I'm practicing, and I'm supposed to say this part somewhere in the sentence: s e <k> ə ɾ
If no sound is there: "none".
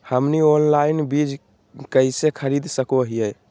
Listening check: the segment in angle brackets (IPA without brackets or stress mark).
kʰ